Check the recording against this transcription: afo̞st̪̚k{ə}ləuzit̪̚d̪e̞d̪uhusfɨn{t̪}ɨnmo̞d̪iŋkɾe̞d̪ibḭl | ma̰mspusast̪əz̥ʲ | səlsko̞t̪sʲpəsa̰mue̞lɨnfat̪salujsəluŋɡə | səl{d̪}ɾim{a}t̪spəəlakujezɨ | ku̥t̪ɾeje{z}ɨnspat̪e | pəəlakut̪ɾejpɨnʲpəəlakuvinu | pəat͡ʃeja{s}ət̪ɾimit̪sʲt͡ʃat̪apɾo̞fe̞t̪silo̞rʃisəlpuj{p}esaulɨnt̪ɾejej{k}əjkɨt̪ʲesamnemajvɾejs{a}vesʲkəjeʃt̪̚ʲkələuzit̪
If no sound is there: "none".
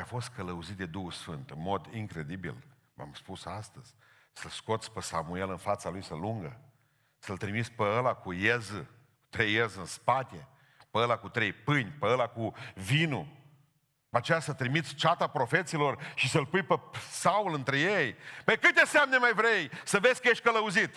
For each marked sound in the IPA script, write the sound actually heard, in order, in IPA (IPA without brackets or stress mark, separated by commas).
ə, t̪, t̪, i, z, s, p, p, ə